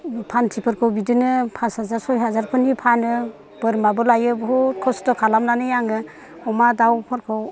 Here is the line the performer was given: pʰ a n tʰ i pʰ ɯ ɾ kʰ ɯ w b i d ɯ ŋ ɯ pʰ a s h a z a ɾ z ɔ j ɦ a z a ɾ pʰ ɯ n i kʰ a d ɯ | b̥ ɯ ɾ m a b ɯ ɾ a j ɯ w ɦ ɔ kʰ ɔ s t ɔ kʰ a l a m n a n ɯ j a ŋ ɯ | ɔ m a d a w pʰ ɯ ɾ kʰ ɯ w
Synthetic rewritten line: pʰ a n tʰ i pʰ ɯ ɾ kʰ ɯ w b i d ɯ n ɯ pʰ a s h a z a ɾ s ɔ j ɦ a z a ɾ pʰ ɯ n i pʰ a n ɯ | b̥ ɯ ɾ m a b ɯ l a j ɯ b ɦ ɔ kʰ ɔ s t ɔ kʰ a l a m n a n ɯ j a ŋ ɯ | ɔ m a d a w pʰ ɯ ɾ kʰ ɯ w